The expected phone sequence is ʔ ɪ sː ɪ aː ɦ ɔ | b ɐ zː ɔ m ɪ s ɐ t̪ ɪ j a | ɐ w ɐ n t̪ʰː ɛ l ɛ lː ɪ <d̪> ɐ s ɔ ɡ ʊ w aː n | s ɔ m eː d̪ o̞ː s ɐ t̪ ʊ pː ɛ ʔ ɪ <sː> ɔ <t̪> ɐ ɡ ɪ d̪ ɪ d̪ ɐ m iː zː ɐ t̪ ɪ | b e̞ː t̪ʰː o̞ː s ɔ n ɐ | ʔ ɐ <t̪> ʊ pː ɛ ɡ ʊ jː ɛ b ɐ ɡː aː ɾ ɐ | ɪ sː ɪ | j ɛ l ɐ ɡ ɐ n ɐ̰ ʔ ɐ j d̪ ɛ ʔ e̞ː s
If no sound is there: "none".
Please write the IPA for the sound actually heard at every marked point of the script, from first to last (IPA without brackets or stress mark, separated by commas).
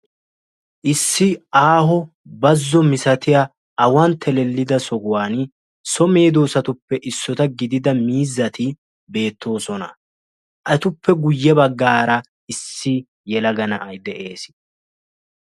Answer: d̪, sː, t̪, t̪